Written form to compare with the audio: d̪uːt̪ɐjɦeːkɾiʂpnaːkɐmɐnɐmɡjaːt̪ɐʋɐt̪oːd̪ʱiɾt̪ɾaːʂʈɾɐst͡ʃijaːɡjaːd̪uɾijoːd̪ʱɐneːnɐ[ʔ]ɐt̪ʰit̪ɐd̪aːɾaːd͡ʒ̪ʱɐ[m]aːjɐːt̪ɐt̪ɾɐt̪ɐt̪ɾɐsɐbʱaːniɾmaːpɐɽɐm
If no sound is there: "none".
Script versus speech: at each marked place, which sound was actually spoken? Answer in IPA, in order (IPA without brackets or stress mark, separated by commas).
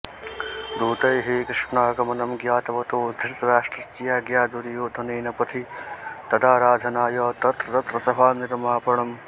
p, n